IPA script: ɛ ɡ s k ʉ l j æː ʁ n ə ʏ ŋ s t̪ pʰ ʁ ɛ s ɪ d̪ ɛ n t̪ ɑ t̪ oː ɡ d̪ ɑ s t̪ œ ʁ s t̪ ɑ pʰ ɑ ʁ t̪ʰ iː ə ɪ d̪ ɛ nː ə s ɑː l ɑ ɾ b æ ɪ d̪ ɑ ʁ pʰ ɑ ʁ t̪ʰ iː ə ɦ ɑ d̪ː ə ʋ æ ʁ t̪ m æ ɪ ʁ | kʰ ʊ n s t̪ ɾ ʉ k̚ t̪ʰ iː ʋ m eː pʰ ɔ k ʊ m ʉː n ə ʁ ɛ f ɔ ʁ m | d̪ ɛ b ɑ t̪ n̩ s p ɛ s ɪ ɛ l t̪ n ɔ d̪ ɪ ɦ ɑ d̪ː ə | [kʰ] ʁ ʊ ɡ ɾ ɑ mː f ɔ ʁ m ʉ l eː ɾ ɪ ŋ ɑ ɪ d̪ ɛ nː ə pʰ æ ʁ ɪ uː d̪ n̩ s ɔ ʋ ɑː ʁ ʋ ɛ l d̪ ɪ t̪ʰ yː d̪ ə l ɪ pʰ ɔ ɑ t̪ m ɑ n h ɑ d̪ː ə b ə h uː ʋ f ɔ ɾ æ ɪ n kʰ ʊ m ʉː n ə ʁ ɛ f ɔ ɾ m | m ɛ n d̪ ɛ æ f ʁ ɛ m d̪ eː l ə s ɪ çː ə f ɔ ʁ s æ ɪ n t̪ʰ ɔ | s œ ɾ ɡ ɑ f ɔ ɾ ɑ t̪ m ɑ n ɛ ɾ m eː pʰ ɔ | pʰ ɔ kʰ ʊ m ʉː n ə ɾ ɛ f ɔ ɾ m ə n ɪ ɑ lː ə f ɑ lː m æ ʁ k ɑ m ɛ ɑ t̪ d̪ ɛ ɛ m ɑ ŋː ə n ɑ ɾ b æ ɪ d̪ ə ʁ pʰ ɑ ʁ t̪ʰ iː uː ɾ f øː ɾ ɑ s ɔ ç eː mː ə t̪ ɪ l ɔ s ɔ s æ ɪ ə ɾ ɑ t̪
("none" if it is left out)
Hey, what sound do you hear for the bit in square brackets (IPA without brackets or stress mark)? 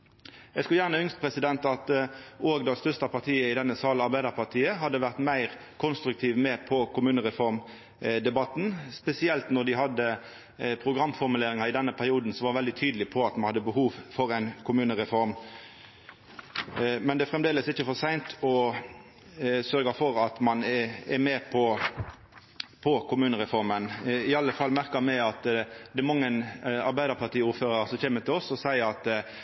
pʰ